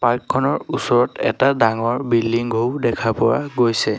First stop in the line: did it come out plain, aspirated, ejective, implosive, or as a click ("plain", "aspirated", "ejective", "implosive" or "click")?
plain